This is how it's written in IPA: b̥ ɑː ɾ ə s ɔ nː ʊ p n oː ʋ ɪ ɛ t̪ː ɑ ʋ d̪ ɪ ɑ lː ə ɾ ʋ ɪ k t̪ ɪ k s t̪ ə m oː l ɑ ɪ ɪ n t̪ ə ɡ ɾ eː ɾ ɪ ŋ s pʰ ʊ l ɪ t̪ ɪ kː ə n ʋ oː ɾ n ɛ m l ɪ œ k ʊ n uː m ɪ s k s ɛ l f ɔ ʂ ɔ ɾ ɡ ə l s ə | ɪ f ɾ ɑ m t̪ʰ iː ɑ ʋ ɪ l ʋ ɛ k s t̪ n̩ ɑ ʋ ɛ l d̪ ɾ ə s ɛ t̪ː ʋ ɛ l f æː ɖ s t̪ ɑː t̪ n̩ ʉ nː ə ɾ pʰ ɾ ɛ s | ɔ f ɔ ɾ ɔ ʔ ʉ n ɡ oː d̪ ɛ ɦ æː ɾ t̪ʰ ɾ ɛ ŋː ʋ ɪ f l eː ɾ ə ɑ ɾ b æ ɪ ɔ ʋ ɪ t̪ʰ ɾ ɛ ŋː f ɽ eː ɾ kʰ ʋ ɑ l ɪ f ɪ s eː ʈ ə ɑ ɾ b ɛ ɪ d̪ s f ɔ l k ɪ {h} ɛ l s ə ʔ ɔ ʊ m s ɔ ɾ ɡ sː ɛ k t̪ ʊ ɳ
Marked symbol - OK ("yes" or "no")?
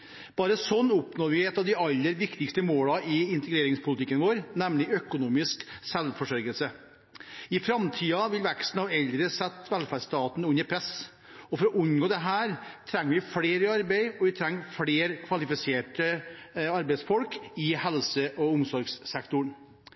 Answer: yes